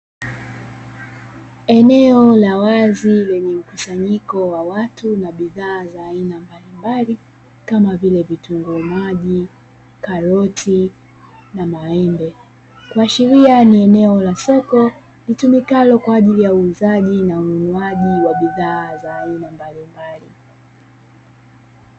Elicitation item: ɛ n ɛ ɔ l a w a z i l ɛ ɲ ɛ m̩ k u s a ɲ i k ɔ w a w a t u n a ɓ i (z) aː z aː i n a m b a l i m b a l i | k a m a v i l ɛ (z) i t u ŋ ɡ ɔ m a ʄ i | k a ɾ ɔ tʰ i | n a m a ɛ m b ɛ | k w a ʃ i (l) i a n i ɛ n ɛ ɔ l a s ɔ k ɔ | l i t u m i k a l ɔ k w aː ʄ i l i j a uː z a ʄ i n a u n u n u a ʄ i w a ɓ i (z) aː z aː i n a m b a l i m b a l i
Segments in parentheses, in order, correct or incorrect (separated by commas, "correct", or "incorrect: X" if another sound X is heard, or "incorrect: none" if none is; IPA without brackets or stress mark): incorrect: ð, incorrect: v, incorrect: ɾ, incorrect: ð